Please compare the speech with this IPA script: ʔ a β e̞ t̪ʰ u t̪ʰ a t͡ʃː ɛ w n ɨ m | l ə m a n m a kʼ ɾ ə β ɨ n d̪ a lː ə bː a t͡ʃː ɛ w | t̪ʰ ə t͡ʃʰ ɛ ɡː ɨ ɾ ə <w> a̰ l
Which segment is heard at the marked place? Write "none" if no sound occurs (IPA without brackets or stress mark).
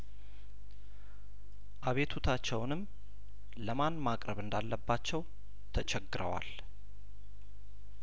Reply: w